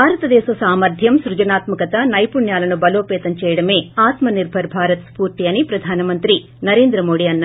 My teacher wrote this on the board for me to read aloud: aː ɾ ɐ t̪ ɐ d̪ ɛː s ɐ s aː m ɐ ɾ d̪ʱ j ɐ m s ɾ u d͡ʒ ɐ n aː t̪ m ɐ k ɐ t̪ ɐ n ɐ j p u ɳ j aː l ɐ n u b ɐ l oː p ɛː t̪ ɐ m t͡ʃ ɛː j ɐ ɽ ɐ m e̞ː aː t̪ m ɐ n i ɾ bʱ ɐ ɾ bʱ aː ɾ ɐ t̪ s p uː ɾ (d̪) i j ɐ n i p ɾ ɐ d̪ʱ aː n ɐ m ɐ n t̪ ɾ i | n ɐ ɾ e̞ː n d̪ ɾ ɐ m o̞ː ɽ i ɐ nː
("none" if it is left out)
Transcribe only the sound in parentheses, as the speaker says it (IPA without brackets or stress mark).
t̪